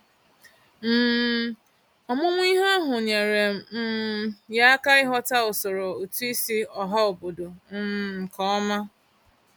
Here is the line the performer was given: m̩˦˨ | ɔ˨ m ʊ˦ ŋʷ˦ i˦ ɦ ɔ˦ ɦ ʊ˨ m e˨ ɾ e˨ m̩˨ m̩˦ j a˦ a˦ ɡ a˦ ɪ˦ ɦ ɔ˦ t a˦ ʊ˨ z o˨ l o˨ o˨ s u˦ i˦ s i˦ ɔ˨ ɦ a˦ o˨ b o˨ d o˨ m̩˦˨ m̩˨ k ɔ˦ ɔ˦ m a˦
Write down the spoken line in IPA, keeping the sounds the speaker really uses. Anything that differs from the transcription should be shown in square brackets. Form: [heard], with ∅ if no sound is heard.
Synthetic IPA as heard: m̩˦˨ | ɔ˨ m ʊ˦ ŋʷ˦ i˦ ɦ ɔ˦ ɦ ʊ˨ [ɲ] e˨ ɾ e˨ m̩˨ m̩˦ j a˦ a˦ [k] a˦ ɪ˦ ɦ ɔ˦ t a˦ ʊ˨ [s] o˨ [ɾ] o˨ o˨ [t] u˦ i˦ s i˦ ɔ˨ ɦ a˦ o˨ b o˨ d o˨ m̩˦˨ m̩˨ k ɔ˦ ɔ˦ m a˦